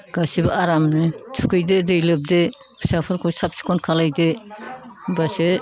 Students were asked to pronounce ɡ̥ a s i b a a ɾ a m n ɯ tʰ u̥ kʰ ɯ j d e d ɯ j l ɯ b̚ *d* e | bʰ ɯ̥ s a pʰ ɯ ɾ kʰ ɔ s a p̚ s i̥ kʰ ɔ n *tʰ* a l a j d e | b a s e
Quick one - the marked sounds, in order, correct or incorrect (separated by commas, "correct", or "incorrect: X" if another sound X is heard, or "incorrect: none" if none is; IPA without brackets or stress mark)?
correct, incorrect: kʰ